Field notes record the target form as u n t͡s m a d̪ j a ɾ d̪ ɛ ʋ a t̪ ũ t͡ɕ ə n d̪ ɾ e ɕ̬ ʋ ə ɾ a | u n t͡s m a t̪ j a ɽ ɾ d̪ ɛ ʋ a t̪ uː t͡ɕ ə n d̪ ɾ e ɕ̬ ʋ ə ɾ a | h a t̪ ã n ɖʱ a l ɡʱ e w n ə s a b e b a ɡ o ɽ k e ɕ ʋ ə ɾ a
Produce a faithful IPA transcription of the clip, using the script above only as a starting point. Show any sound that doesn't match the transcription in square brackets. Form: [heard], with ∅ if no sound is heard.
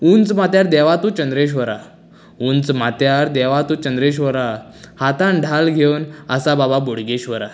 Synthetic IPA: u n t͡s m a [t̪] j a ɾ d̪ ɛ ʋ a t̪ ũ t͡ɕ ə n d̪ ɾ e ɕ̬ ʋ ə ɾ a | u n t͡s m a t̪ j a [∅] ɾ d̪ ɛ ʋ a t̪ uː t͡ɕ ə n d̪ ɾ e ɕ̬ ʋ ə ɾ a | h a t̪ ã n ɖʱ a l ɡʱ e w n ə s a b [a] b a [b] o ɽ [ɡ] e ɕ ʋ ə ɾ a